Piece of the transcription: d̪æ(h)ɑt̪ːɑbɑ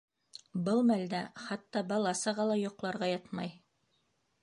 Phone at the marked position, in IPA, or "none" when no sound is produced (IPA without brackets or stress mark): χ